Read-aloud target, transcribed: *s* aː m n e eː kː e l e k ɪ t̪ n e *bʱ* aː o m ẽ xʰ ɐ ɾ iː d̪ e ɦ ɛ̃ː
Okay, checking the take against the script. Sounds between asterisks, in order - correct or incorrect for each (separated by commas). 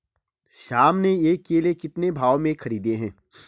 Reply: incorrect, correct